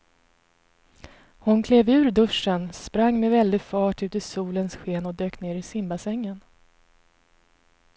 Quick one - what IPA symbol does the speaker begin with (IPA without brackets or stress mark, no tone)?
h